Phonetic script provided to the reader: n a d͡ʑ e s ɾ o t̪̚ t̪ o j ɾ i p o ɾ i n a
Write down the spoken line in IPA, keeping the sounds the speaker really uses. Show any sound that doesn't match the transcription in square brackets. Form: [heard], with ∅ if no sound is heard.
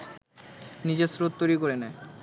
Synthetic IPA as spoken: n [i] d͡ʑ e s ɾ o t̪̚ t̪ o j ɾ i [k] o ɾ [e] n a